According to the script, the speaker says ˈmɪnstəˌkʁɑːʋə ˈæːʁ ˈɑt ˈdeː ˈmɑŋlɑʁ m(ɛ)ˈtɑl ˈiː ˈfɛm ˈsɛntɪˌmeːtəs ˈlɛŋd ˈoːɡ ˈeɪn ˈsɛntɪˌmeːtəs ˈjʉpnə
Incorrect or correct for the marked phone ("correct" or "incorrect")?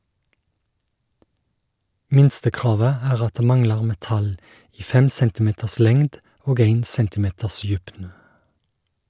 correct